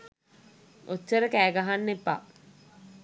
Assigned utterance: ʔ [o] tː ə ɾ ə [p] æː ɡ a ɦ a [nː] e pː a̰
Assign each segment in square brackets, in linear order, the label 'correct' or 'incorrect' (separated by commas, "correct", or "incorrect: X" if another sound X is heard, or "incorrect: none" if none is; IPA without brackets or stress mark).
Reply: correct, incorrect: k, correct